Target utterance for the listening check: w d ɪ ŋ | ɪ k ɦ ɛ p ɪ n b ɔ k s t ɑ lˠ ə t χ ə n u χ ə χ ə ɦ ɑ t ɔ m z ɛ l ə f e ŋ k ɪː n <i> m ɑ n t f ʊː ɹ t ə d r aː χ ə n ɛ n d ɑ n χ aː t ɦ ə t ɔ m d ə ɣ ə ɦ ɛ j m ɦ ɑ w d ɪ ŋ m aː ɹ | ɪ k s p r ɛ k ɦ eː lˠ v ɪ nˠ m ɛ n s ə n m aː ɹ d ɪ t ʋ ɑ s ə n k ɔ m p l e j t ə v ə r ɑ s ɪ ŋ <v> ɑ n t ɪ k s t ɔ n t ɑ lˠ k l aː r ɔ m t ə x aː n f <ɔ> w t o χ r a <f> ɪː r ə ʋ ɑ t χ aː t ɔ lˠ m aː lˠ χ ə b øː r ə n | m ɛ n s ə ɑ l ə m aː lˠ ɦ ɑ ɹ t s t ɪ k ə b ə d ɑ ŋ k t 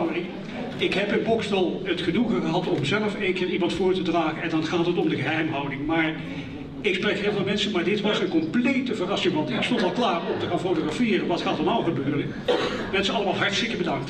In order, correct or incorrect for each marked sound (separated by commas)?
correct, incorrect, incorrect, correct